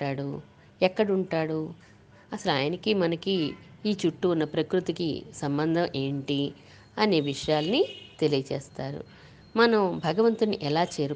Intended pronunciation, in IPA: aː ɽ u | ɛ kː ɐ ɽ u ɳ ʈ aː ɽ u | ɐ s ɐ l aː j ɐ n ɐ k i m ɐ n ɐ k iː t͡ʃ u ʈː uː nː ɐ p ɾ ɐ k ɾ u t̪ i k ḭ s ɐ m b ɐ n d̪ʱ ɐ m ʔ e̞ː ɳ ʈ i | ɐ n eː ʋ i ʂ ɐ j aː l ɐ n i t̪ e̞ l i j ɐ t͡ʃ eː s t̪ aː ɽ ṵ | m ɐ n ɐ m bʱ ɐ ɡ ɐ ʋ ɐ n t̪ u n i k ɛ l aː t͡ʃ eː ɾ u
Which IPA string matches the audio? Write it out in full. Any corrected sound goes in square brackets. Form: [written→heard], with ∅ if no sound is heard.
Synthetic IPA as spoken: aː ɽ u | ɛ kː ɐ ɽ u ɳ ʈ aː ɽ u | ɐ s ɐ l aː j ɐ n ɐ k i m ɐ n ɐ k iː t͡ʃ u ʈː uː nː ɐ p ɾ ɐ k ɾ u t̪ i k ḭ s ɐ m b ɐ n d̪ʱ ɐ m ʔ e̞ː ɳ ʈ i | ɐ n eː ʋ i ʂ ɐ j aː l ɐ n i t̪ e̞ l i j ɐ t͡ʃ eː s t̪ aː [ɽ→ɾ] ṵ | m ɐ n ɐ m bʱ ɐ ɡ ɐ ʋ ɐ n t̪ u n i [k→ʔ] ɛ l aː t͡ʃ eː ɾ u